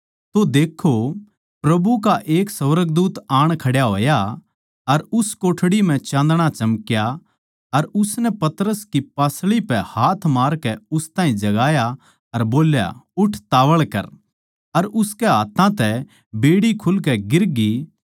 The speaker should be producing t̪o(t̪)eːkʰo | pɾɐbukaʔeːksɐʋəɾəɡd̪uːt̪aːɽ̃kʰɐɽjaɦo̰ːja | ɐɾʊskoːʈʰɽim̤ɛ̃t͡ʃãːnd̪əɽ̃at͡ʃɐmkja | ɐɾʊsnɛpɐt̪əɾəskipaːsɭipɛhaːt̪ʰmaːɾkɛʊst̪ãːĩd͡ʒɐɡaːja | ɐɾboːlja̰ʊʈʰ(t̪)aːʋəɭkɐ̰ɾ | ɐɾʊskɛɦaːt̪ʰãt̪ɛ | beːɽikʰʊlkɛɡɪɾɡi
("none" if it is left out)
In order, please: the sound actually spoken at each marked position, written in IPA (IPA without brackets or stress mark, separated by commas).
d̪, t̪